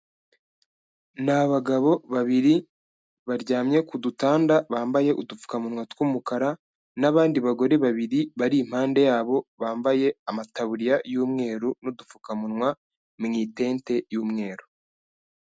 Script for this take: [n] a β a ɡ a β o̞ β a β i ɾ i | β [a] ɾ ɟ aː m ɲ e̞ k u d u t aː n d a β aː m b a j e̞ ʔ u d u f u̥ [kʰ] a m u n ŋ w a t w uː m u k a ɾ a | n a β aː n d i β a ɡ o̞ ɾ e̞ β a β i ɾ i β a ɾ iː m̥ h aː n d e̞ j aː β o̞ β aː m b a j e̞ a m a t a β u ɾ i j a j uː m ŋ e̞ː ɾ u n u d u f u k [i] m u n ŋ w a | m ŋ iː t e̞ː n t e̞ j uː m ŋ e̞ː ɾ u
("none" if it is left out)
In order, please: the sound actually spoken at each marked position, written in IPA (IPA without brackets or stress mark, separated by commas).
n, a, k, a